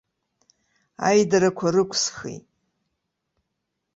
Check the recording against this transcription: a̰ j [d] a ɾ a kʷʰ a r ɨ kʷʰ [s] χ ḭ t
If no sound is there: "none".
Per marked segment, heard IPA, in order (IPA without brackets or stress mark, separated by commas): d, s